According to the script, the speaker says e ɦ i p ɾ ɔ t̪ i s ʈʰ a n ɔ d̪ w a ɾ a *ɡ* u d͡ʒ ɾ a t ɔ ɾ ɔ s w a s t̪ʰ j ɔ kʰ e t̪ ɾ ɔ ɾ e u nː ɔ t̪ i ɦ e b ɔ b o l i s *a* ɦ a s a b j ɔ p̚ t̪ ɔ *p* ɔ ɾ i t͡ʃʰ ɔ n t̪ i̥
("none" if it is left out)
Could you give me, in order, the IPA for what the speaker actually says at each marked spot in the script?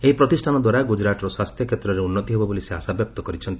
ɡ, e, k

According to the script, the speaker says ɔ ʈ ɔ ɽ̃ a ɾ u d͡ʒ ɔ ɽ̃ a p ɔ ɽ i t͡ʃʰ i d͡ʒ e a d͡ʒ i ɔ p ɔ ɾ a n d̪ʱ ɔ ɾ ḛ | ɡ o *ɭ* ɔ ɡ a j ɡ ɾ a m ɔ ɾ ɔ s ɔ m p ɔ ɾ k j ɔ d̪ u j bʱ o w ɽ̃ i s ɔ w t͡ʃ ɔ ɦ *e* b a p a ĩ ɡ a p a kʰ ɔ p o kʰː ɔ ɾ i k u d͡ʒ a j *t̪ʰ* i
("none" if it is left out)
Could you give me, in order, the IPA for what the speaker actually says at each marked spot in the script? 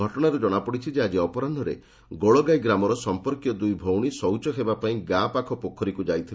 ɭ, e, t̪ʰ

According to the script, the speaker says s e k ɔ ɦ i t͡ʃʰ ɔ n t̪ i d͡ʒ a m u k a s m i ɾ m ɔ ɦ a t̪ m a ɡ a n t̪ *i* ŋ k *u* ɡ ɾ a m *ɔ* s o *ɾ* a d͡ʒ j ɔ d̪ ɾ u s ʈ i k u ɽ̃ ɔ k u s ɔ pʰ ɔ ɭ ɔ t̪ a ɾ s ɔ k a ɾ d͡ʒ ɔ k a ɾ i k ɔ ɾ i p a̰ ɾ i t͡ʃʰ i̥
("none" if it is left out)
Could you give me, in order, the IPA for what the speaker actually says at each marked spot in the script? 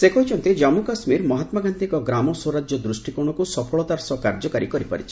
i, ɔ, ɔ, ɾ

